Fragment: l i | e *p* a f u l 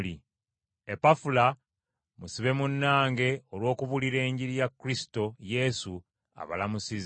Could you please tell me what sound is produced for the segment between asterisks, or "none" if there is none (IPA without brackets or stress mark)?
p